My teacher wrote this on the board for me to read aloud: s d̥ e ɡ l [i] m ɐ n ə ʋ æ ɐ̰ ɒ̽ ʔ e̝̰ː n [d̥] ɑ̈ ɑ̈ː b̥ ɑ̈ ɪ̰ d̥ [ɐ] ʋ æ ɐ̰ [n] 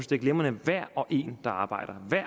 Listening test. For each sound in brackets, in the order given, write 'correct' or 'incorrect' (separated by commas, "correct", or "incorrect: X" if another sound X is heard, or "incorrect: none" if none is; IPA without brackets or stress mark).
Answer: incorrect: e, correct, correct, incorrect: none